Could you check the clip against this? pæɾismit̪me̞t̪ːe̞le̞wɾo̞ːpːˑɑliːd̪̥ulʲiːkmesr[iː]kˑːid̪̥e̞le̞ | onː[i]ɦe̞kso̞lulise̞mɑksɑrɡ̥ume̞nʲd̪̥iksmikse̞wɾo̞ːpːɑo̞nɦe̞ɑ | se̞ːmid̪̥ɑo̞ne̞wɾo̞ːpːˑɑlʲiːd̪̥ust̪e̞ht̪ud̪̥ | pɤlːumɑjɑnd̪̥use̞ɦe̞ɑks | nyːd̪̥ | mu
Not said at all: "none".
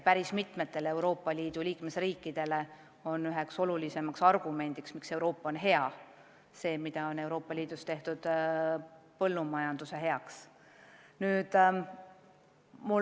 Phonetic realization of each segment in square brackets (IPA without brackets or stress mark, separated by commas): iː, y